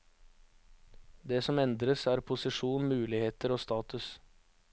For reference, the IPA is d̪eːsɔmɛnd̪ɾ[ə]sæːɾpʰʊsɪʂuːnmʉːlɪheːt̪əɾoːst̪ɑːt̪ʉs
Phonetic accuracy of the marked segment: correct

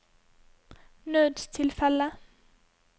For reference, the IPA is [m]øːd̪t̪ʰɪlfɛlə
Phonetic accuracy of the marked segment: incorrect: n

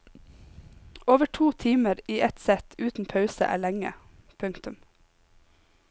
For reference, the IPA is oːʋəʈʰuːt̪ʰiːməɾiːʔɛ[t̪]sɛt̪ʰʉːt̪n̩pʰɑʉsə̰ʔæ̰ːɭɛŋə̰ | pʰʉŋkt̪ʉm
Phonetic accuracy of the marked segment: correct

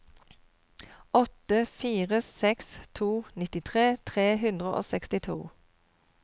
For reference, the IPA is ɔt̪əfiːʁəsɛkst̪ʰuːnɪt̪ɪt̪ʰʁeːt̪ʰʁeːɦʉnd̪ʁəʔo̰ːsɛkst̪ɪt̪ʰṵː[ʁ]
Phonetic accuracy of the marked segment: incorrect: none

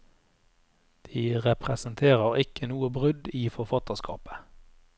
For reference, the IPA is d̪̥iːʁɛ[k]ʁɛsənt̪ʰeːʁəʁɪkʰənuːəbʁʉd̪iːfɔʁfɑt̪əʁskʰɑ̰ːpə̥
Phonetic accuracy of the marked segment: incorrect: p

